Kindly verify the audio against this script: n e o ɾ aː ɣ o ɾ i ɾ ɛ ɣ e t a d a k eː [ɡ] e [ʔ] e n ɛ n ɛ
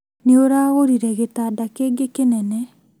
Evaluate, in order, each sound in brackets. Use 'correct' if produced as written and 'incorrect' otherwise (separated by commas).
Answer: correct, incorrect